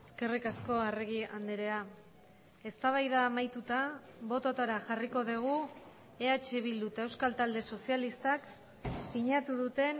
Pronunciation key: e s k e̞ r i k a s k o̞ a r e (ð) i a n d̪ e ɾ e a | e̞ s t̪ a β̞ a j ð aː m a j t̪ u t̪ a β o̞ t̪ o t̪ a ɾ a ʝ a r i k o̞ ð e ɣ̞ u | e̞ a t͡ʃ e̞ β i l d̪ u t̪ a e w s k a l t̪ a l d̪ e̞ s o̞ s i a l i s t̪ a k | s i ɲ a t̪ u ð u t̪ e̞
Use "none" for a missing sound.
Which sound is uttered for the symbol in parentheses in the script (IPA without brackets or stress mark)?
ɣ